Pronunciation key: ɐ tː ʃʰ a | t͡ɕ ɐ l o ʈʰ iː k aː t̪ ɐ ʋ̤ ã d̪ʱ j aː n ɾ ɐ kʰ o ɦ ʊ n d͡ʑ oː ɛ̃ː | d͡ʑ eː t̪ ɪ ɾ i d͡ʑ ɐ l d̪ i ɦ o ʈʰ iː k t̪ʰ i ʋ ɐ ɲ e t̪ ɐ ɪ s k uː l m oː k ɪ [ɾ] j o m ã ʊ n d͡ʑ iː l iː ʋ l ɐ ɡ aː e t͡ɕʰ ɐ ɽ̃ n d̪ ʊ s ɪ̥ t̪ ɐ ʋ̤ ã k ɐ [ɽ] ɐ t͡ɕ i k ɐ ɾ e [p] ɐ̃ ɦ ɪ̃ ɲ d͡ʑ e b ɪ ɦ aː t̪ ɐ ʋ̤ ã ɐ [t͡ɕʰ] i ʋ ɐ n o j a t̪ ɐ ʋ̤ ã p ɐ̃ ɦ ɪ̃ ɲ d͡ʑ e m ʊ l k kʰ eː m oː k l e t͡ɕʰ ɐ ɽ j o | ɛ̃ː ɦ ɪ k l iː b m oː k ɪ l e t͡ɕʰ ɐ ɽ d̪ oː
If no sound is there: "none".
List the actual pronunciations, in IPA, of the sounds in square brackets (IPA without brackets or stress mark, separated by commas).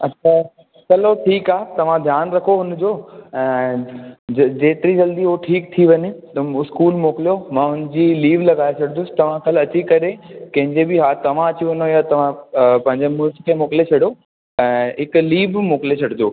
l, l, k, t͡ɕ